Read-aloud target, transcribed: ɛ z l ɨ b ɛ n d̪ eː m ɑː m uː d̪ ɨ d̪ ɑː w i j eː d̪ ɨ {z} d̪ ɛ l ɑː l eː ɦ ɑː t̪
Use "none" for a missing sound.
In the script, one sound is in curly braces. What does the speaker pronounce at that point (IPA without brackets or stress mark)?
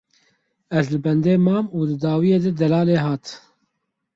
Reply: none